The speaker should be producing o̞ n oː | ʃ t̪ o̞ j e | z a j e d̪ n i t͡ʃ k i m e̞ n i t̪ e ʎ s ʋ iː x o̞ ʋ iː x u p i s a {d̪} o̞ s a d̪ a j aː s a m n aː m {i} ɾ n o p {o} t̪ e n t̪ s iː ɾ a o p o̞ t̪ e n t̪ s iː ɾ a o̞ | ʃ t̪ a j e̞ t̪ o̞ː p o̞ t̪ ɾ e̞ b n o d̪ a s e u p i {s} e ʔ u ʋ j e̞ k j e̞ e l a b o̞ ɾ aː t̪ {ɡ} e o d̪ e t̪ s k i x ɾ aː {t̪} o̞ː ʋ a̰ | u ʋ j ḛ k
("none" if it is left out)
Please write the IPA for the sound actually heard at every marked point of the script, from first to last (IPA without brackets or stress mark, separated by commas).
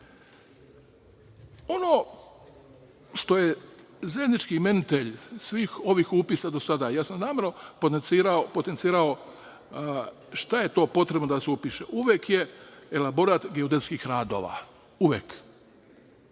d̪, e, o, ʃ, ɡ, d̪